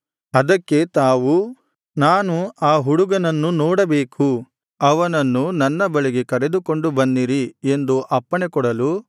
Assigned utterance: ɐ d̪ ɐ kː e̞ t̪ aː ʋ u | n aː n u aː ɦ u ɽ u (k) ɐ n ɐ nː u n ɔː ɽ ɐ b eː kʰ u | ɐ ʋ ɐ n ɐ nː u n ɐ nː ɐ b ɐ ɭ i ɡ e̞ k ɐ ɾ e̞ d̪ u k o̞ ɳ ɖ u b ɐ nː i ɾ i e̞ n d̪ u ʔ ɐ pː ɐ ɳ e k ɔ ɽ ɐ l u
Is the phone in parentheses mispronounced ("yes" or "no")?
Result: yes